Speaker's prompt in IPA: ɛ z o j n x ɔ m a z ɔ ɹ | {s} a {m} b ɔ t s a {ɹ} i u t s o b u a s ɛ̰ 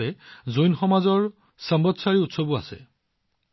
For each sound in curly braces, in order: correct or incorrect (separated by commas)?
correct, correct, correct